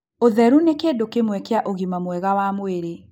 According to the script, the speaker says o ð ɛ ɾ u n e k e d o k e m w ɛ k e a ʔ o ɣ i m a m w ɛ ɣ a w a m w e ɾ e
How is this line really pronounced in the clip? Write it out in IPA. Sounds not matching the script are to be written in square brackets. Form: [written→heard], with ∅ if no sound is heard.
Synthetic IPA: o ð ɛ ɾ u n e k e d o k e m w ɛ k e a ʔ o ɣ i m a m w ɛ ɣ a w a m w e ɾ e